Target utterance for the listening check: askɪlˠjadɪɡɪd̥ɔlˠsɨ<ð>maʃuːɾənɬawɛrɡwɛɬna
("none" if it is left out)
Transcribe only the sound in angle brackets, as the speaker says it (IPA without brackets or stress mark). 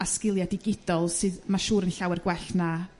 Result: ð